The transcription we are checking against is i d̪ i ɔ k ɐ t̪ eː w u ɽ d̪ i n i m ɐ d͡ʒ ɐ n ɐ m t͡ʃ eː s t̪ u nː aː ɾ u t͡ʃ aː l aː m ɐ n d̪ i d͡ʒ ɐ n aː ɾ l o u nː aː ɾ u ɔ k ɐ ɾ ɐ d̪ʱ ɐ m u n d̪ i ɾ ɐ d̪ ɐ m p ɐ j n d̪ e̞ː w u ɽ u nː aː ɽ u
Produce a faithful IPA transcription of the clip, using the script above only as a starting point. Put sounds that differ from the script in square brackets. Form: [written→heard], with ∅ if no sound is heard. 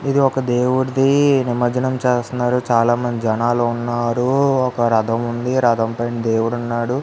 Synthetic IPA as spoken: i d̪ i ɔ k ɐ [t̪→d̪] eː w u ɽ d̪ i n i m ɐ d͡ʒ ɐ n ɐ m t͡ʃ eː s t̪ u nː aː ɾ u t͡ʃ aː l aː m ɐ n d̪ i d͡ʒ ɐ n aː [ɾ→∅] l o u nː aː ɾ u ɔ k ɐ ɾ ɐ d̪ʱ ɐ m u n d̪ i ɾ ɐ d̪ ɐ m p ɐ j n d̪ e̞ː w u ɽ u nː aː ɽ u

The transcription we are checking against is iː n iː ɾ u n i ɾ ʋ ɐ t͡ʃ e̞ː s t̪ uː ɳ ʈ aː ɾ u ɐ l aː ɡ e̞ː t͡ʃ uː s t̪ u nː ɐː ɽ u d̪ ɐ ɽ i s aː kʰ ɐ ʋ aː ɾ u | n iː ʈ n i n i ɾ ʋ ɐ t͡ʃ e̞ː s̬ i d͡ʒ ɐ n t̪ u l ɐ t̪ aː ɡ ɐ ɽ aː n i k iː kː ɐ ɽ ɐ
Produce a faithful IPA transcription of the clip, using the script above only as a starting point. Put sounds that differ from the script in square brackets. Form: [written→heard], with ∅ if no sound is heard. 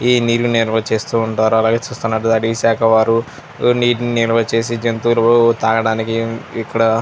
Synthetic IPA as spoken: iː n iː ɾ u n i ɾ ʋ ɐ t͡ʃ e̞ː s t̪ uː ɳ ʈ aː ɾ u ɐ l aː ɡ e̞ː t͡ʃ uː s t̪ u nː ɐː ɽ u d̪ ɐ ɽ i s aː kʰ ɐ ʋ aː ɾ u | n iː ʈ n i n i ɾ ʋ ɐ t͡ʃ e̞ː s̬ i d͡ʒ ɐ n t̪ u l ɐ t̪ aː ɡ ɐ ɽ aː n i k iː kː ɐ ɽ ɐ

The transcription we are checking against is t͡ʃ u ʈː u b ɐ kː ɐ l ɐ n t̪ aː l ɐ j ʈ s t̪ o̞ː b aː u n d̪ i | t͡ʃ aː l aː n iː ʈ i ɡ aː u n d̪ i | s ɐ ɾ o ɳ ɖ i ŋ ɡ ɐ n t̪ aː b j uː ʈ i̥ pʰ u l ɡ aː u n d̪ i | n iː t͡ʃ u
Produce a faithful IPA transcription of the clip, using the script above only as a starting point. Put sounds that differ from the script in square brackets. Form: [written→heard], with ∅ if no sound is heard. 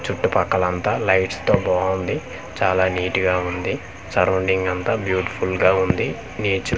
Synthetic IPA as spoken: t͡ʃ u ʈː u [b→p] ɐ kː ɐ l ɐ n t̪ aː l ɐ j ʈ s t̪ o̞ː b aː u n d̪ i | t͡ʃ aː l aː n iː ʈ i ɡ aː u n d̪ i | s ɐ ɾ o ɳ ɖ i ŋ ɡ ɐ n t̪ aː b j uː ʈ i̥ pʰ u l ɡ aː u n d̪ i | n iː t͡ʃ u

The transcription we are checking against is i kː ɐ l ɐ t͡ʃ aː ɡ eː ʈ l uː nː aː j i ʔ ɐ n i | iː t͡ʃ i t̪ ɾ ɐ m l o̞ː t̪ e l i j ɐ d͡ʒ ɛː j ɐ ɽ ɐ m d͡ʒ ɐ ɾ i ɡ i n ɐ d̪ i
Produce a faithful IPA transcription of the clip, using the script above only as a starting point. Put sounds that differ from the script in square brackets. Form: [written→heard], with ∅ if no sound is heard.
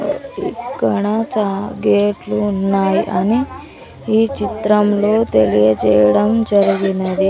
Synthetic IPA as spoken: i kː ɐ [l→ɽ] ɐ t͡ʃ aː ɡ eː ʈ l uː nː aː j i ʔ ɐ n i | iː t͡ʃ i t̪ ɾ ɐ m l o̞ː t̪ e l i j ɐ d͡ʒ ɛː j ɐ ɽ ɐ m d͡ʒ ɐ ɾ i ɡ i n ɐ d̪ i

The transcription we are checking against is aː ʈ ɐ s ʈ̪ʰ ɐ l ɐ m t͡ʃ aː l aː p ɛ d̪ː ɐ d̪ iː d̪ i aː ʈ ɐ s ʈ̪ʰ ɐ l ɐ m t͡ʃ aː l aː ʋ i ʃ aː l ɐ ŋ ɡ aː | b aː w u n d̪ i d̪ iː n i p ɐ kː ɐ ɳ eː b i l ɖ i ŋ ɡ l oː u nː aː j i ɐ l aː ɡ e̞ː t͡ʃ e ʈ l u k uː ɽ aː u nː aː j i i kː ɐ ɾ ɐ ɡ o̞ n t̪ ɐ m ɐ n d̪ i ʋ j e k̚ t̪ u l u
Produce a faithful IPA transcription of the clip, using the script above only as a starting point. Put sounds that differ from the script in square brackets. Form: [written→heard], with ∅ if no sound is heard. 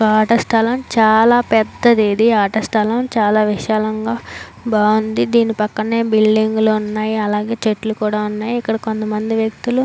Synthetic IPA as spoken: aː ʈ ɐ s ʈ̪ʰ ɐ l ɐ m t͡ʃ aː l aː p ɛ d̪ː ɐ d̪ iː d̪ i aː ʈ ɐ s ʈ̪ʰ ɐ l ɐ m t͡ʃ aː l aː ʋ i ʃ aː l ɐ ŋ ɡ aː | b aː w u n d̪ i d̪ iː n i p ɐ kː ɐ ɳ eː b i l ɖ i ŋ ɡ l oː u nː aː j i ɐ l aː ɡ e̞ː t͡ʃ e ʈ l u k uː ɽ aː u nː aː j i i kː ɐ [ɾ→ɽ] ɐ [ɡ→k] o̞ n t̪ ɐ m ɐ n d̪ i ʋ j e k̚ t̪ u l u

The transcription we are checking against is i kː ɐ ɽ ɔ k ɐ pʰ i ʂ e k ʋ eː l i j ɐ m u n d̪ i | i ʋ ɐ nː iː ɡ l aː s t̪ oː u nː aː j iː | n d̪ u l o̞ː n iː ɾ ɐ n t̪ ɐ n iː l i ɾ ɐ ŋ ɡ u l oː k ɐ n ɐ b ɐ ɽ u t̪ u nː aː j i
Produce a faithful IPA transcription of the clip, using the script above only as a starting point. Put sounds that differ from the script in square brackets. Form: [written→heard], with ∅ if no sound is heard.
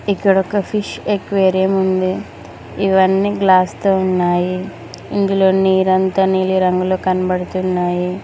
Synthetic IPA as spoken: i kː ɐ ɽ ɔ k ɐ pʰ i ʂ e k ʋ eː [l→ɾ] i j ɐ m u n d̪ i | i ʋ ɐ nː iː ɡ l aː s t̪ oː u nː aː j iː | n d̪ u l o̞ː n iː ɾ ɐ n t̪ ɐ n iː l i ɾ ɐ ŋ ɡ u l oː k ɐ n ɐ b ɐ ɽ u t̪ u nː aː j i

